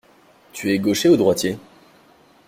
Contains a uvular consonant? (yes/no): yes